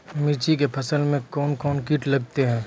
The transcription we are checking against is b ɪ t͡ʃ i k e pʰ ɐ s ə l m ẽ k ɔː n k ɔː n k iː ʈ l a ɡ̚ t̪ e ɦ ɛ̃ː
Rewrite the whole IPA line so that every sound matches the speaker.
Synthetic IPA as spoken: m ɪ t͡ʃ i k e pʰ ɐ s ə l m ẽ k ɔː n k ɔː n k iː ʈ l ɐ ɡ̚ t̪ e ɦ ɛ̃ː